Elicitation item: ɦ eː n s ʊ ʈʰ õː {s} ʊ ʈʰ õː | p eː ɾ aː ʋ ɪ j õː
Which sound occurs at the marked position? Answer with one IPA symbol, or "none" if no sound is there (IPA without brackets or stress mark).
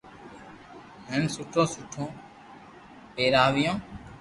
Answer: s